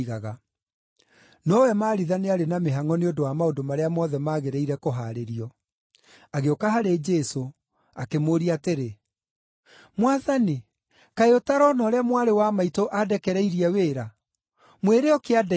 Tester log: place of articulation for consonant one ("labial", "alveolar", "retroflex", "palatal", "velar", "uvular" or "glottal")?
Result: velar